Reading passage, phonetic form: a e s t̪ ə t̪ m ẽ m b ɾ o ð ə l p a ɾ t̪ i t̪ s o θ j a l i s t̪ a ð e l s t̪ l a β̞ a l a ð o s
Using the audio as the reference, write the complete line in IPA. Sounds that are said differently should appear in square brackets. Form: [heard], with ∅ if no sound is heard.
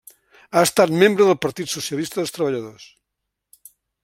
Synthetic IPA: a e s t̪ [a] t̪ m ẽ m b ɾ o ð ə l p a ɾ t̪ i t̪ s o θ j a l i s t̪ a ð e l s t̪ [ɾ] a β̞ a [ʎ] a ð o s

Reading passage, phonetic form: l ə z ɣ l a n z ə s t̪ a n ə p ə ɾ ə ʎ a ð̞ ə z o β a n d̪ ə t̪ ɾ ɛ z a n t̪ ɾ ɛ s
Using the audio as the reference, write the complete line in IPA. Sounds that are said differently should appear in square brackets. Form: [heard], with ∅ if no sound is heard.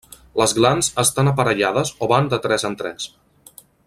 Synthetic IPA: l ə z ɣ l a n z ə s t̪ a n ə p ə ɾ ə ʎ a ð̞ ə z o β a n d̪ ə t̪ ɾ ɛ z [ə] n t̪ ɾ ɛ s

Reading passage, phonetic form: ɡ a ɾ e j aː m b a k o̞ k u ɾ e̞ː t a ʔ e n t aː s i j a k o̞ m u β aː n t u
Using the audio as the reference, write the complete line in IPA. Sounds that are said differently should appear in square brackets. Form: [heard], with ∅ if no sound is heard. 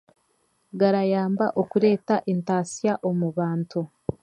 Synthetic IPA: ɡ a ɾ [a] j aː m b a [ʔ] o̞ k u ɾ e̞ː t a ʔ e n t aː s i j a [ʔ] o̞ m u β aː n t u

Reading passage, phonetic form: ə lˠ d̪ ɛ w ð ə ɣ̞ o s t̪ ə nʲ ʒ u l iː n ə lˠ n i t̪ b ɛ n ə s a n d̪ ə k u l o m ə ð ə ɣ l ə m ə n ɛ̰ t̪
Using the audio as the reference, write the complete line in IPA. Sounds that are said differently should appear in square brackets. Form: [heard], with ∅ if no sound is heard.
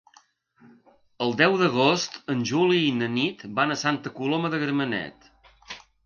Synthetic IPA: ə lˠ d̪ ɛ w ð ə ɣ̞ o s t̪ ə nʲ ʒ u l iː n ə [∅] n i t̪ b [a] n ə s a n [t̪] ə k u l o m ə ð ə ɣ [ɾ] ə m ə n ɛ̰ t̪

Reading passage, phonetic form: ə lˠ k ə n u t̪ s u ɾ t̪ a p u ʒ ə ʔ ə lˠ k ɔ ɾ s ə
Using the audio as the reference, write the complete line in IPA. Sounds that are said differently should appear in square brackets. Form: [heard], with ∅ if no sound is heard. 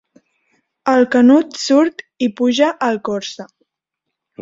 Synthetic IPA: ə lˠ k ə n u t̪ s u ɾ t̪ [i] p u ʒ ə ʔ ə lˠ k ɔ ɾ s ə

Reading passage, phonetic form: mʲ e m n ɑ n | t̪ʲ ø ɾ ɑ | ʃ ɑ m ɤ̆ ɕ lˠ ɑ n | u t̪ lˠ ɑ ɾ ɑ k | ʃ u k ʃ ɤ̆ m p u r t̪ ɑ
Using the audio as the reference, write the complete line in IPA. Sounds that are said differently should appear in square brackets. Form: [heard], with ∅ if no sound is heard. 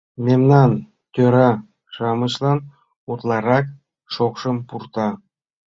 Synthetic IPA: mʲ e m n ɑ n | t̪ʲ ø ɾ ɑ | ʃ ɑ m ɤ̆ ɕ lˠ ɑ n | u t̪ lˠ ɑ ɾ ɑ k | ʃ [o] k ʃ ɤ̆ m p u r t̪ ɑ

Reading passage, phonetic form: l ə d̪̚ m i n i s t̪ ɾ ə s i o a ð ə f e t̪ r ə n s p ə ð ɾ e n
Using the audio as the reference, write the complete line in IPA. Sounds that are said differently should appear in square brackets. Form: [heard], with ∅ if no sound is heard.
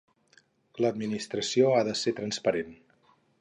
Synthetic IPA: l ə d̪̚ m i n i s t̪ ɾ ə s i o a ð ə [s] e t̪ [ɾ] ə n s p ə [∅] ɾ e n

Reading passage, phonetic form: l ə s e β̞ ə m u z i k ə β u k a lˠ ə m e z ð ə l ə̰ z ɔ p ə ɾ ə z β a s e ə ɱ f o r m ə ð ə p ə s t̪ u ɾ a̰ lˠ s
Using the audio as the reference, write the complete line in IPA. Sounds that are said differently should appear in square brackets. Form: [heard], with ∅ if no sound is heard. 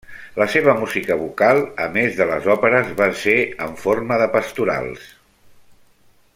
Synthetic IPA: l ə s e β̞ ə m u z i k ə β u k a lˠ ə m e z ð ə l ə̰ z ɔ p ə ɾ ə z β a s e ə ɱ f o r m ə ð ə p ə s t̪ u ɾ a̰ lˠ s

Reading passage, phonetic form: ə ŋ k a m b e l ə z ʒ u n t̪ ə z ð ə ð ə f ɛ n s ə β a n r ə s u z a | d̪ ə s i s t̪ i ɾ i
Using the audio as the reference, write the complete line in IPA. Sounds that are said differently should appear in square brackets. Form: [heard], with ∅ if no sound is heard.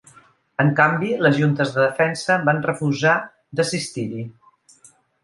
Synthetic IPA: ə ŋ k a m b [i] l ə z ʒ u n t̪ ə z ð ə ð ə f ɛ n s ə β a n r ə [f] u z a | d̪ ə s i s t̪ i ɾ i

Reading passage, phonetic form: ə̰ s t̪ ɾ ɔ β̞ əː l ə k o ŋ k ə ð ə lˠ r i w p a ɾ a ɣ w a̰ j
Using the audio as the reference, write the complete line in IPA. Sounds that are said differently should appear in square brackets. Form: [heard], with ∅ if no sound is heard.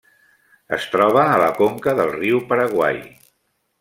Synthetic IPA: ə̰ s t̪ ɾ ɔ β̞ əː l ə k o ŋ k ə ð ə lˠ r i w p [ə] ɾ [ə] ɣ w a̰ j

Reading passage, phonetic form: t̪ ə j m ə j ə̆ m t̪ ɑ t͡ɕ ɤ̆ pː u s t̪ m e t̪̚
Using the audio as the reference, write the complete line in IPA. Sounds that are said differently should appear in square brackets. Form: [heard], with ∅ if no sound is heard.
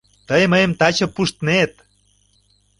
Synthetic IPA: t̪ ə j m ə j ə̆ m t̪ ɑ t͡ɕ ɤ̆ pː u [ʃ] t̪ [n] e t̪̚

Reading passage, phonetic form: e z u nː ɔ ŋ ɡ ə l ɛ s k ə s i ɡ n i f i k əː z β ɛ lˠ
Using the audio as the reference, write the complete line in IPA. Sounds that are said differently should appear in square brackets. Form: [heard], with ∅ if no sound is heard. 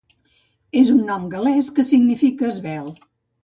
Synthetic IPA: e z u nː ɔ [m] ɡ ə l ɛ s k ə s i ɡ n i f i k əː z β ɛ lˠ

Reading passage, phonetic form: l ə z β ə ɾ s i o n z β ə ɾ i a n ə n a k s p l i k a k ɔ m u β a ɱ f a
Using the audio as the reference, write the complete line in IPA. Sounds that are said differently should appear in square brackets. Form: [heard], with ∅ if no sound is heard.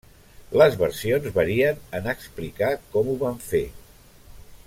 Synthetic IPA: l ə z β ə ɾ s i o n z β ə ɾ i [ə] n ə n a k s p l i k a k ɔ m u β a ɱ f [e]

